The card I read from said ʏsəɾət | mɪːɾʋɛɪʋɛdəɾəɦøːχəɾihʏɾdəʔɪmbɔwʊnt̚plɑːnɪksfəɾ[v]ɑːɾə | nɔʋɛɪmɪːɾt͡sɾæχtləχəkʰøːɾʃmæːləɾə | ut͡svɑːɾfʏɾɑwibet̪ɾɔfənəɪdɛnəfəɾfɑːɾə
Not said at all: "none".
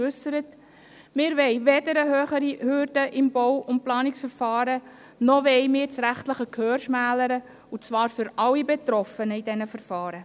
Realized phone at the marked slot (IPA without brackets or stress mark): f